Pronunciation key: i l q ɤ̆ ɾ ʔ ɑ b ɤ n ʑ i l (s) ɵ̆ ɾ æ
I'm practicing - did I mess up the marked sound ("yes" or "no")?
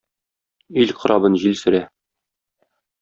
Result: no